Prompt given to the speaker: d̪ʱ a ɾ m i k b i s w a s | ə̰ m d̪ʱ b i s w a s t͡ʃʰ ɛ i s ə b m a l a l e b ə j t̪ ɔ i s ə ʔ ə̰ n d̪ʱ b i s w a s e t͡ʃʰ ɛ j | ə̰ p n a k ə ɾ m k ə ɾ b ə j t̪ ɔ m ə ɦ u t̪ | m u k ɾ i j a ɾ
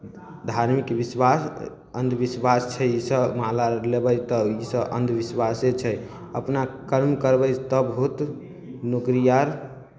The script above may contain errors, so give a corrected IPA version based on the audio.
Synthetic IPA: d̪ʱ a ɾ m i k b i s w a s | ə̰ n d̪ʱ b i s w a s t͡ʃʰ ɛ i s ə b m a l a l e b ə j t̪ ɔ i s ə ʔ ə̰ n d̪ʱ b i s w a s e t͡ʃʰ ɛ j | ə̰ p n a k ə ɾ m k ə ɾ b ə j t̪ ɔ b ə ɦ u t̪ | n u k ɾ i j a ɾ